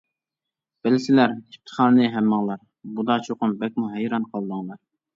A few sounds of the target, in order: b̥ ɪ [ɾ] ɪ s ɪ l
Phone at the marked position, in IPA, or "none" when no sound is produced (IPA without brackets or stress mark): l